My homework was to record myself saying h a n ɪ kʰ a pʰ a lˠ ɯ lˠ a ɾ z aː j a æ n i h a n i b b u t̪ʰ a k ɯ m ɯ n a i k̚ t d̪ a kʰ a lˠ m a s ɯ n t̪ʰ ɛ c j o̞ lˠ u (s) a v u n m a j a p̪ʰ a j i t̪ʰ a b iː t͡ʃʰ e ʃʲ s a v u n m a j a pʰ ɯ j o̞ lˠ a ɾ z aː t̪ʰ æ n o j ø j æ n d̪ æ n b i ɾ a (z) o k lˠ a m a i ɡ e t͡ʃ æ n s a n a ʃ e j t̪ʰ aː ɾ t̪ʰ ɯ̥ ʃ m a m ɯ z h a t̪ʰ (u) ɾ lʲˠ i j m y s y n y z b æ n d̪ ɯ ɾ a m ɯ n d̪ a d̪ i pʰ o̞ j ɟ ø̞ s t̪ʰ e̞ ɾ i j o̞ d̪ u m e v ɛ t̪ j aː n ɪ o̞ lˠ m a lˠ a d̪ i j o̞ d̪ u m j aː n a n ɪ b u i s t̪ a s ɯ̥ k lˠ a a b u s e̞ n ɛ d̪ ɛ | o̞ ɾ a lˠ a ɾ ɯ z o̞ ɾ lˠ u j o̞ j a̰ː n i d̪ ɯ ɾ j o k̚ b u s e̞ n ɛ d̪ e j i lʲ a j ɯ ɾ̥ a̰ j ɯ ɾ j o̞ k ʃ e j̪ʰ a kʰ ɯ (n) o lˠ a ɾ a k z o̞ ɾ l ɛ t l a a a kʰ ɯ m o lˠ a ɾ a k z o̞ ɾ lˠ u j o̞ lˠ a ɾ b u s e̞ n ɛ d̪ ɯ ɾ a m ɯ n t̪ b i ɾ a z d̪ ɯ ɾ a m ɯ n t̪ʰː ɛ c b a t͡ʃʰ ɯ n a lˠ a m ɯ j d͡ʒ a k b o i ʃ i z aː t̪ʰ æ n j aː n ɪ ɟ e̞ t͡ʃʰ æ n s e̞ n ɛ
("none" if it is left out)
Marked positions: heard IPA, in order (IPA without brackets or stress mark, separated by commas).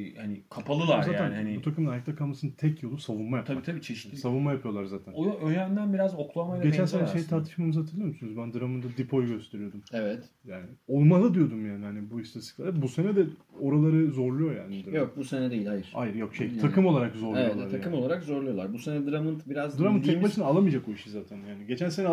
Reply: s, z, ɯ, m